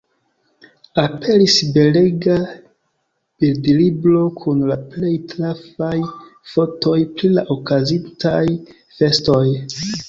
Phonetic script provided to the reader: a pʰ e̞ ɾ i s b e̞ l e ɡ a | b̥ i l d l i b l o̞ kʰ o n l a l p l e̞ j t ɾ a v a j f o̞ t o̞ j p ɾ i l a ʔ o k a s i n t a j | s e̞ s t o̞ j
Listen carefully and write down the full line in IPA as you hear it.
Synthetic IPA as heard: a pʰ e̞ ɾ i s b e̞ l e ɡ a | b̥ i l d l i b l o̞ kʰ u n l a p l e̞ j t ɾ a f a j f o̞ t o̞ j p ɾ i l a ʔ o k a z i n t a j | f e̞ s t o̞ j